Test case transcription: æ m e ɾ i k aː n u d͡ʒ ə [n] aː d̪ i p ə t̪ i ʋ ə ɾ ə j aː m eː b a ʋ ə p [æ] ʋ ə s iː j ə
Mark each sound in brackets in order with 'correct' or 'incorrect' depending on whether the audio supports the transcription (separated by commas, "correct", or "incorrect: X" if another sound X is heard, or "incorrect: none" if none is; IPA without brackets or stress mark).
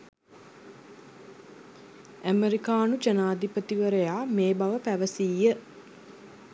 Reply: correct, correct